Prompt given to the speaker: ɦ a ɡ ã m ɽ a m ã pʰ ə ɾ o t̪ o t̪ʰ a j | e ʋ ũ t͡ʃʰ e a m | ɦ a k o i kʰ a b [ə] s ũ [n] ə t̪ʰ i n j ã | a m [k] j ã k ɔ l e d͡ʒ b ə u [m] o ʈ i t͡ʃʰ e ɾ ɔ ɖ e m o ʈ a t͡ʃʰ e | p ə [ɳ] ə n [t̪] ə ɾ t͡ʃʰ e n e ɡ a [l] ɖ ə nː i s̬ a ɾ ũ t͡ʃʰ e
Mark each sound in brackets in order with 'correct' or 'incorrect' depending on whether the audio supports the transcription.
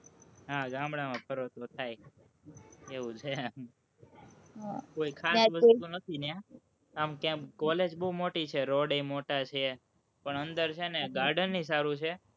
correct, correct, correct, correct, correct, incorrect, incorrect

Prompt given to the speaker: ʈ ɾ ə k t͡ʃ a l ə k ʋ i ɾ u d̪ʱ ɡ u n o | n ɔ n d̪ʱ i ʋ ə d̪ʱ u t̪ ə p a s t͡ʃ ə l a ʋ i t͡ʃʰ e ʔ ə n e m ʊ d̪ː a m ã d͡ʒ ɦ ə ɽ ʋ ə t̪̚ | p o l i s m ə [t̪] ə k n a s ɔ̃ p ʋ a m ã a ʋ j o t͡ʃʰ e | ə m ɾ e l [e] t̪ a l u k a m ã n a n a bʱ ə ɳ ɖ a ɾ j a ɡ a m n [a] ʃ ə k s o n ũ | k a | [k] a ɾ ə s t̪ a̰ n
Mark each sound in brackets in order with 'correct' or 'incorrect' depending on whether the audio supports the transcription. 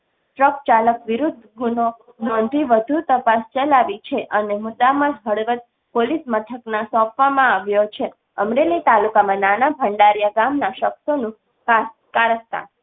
incorrect, incorrect, correct, correct

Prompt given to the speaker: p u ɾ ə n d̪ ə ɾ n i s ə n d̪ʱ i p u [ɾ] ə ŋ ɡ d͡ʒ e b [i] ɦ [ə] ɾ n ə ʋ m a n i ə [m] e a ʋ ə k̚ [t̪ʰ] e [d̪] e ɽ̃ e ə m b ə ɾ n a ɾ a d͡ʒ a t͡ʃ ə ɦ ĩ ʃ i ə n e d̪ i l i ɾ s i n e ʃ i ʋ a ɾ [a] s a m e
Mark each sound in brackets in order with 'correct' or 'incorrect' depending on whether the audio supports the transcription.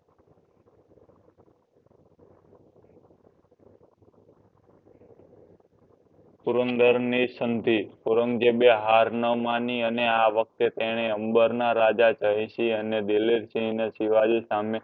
correct, incorrect, incorrect, incorrect, incorrect, incorrect, incorrect

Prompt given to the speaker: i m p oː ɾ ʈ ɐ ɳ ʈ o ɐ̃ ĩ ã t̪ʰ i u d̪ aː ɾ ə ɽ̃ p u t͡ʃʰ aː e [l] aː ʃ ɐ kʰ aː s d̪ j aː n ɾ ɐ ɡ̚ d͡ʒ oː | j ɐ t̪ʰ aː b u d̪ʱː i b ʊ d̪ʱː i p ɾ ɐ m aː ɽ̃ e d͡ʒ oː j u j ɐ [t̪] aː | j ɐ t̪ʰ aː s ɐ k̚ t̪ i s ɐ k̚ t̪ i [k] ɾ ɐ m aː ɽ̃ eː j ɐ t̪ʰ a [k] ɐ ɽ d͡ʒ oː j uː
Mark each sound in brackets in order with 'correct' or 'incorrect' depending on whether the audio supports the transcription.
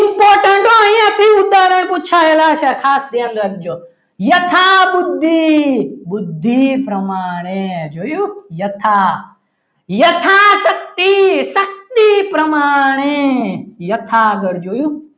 correct, incorrect, incorrect, incorrect

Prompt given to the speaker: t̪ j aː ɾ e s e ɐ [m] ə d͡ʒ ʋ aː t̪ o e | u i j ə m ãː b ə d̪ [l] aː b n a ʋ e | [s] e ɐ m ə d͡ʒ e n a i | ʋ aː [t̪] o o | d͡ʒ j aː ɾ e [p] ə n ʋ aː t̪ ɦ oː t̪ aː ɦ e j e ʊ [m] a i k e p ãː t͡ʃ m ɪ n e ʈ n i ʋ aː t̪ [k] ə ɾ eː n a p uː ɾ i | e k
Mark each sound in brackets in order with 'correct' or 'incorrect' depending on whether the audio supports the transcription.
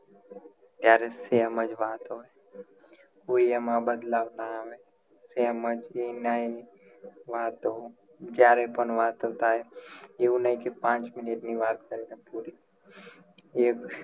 correct, correct, correct, correct, correct, incorrect, correct

